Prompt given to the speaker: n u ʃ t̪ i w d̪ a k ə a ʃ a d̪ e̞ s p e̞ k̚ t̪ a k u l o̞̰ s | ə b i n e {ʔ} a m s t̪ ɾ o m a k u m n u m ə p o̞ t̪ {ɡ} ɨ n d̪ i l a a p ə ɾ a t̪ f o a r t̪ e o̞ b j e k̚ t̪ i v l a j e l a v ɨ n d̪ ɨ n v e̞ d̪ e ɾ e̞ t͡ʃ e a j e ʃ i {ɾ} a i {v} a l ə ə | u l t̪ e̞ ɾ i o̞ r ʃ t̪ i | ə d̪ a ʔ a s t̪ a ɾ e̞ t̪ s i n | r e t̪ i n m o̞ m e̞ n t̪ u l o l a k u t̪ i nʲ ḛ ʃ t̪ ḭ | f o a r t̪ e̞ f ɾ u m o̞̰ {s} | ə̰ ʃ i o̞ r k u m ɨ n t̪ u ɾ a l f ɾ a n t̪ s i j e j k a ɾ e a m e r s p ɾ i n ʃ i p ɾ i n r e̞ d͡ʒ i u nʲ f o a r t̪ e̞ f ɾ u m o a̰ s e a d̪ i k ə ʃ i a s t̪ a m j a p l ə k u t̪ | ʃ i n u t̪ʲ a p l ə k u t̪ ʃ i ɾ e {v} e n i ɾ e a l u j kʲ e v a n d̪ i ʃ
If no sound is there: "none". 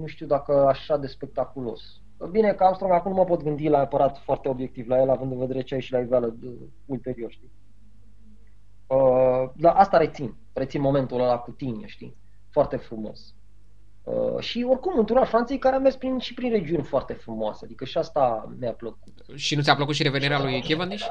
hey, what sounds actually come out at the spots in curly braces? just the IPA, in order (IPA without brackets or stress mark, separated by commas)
k, ɡ, l, v, s, v